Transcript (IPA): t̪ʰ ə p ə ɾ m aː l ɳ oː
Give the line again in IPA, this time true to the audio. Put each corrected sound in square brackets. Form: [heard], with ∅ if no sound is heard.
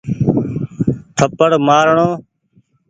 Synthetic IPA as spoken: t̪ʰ ə p ə [ɽ] m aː [ɾ] ɳ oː

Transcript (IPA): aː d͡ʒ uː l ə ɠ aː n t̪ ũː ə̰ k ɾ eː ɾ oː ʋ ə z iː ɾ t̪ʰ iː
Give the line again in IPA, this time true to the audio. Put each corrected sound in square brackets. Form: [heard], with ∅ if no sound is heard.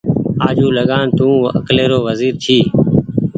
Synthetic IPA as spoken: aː d͡ʒ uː l ə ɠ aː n t̪ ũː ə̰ k [l] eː ɾ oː ʋ ə z iː ɾ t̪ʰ iː

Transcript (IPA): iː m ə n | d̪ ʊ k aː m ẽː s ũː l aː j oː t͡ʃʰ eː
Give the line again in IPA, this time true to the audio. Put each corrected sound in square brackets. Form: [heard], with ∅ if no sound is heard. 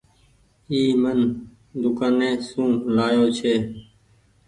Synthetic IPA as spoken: iː m ə n | d̪ ʊ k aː [n] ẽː s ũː l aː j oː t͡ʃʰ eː

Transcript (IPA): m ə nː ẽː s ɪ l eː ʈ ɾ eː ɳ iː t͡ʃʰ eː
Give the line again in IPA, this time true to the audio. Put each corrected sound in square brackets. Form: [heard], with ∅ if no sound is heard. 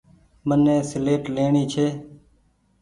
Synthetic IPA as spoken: m ə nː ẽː s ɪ l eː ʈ [l] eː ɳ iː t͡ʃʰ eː

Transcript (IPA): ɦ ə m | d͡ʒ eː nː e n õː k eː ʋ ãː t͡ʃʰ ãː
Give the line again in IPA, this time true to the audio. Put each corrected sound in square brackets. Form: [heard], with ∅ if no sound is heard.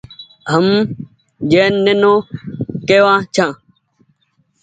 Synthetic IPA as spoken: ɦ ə m | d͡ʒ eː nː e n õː k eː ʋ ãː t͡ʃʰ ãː

